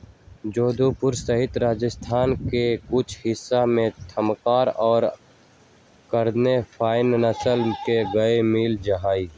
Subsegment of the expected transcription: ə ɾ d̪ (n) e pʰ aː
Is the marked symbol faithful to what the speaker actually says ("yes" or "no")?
yes